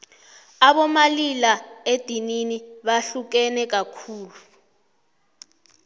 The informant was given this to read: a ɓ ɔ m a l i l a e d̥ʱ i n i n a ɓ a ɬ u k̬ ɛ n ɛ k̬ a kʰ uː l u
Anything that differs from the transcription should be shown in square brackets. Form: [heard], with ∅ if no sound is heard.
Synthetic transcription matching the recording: a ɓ ɔ m a l i l a e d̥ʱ i n i n [i] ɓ a ɬ u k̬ ɛ n ɛ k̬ a kʰ uː l u